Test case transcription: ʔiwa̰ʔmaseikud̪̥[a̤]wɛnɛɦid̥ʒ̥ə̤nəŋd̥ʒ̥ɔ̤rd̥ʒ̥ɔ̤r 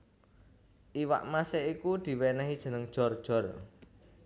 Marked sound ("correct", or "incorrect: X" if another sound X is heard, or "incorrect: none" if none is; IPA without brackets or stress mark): incorrect: i̤